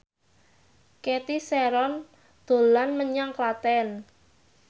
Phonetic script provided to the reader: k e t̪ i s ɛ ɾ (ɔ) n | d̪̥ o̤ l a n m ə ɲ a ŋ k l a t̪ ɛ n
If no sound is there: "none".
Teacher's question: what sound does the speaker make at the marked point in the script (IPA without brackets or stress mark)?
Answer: ɔ